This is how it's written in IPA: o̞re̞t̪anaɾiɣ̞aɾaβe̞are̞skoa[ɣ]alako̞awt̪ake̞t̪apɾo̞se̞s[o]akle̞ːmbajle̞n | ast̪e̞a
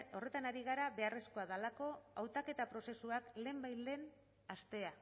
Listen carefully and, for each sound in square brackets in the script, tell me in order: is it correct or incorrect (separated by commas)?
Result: incorrect, incorrect